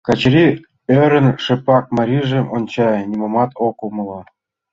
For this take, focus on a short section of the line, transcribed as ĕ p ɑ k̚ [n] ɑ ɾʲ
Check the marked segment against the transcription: incorrect: m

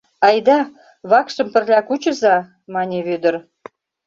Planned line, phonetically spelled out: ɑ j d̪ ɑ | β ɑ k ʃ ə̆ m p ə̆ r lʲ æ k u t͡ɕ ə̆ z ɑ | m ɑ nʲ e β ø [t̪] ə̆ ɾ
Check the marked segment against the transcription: incorrect: d̪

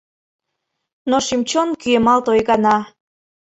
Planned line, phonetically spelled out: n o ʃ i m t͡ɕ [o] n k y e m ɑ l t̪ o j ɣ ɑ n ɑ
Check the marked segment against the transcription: correct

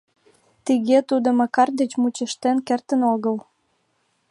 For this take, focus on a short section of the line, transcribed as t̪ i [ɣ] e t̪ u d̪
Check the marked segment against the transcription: correct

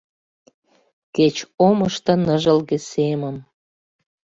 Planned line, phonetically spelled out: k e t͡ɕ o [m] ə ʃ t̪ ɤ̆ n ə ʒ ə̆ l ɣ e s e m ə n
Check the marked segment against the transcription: correct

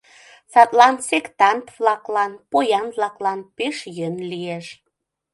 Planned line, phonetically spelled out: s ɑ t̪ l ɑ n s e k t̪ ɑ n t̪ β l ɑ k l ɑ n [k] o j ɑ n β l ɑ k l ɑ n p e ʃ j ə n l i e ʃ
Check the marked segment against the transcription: incorrect: p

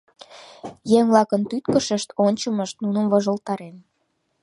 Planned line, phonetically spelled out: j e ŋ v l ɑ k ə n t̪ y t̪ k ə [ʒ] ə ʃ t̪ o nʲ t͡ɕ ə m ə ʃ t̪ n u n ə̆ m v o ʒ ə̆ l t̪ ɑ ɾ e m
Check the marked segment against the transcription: incorrect: ʃ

